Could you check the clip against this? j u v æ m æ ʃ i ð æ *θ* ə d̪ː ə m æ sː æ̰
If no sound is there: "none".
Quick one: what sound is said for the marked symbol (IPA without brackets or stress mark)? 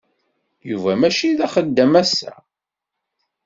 χ